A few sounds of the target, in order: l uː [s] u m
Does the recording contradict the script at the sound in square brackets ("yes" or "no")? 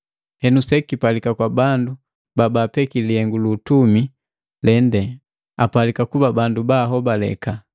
yes